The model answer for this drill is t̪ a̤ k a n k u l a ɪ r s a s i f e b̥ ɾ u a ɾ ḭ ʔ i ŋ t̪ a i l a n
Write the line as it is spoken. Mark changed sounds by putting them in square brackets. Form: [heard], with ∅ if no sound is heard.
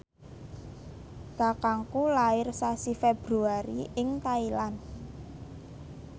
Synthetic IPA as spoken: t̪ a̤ k a [ŋ] k u l a ɪ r s a s i f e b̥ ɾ u a ɾ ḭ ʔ [ɪ] ŋ t̪ a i l a n

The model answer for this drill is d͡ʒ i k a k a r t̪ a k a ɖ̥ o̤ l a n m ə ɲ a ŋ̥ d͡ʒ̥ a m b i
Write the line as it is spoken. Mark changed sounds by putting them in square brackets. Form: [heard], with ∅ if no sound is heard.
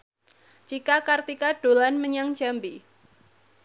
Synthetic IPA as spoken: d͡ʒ i k a k a r t̪ [i] k a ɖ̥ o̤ l a n m ə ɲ a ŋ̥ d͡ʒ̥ a m b i

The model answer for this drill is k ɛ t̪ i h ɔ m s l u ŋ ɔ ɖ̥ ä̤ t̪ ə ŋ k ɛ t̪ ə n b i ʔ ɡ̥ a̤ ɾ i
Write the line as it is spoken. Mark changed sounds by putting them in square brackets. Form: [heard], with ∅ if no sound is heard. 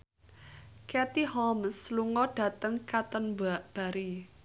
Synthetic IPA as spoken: k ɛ t̪ i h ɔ m s l u ŋ ɔ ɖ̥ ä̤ t̪ ə ŋ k [a] t̪ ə n b [a] ʔ [b̥] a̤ ɾ i

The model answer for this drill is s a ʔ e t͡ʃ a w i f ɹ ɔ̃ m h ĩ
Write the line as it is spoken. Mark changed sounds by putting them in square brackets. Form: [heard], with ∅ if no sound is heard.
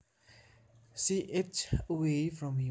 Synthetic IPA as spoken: s [i] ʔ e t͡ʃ [ə] w [e] f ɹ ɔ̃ m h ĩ

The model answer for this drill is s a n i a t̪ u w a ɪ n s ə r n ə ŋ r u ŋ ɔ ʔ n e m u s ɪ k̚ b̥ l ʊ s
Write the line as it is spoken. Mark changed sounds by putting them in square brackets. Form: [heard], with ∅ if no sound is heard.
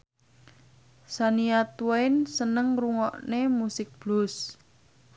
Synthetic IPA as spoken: s a n i a t̪ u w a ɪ n s ə [∅] n ə ŋ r u ŋ ɔ ʔ n e m u s ɪ k̚ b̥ l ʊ s

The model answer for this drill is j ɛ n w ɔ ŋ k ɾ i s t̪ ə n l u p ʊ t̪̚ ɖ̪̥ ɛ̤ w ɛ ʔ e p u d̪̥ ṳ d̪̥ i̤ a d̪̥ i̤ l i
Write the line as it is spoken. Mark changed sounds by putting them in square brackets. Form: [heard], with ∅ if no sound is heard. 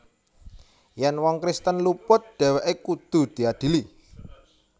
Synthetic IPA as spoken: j ɛ n w ɔ ŋ k ɾ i s t̪ ə n l u p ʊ t̪̚ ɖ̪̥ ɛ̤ w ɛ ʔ e [k] u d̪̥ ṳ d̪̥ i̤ a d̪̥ i̤ l i

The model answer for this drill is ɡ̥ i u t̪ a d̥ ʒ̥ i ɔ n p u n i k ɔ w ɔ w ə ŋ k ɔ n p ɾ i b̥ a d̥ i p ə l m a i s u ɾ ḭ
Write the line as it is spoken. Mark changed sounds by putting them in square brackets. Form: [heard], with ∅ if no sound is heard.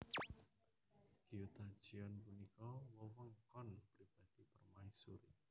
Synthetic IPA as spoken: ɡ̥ i u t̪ a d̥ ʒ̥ i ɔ n p u n i k ɔ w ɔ w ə ŋ k ɔ n p ɾ i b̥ a d̥ i p ə [r] m a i s u ɾ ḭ

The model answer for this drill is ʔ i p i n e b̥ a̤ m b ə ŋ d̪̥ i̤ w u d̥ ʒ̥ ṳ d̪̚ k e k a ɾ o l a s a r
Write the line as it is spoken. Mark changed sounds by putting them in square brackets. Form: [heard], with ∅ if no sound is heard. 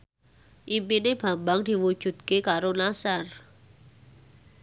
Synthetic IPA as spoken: ʔ i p i n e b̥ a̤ m b [a] ŋ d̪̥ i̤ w u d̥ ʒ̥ ṳ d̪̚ k e k a ɾ o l a s a r

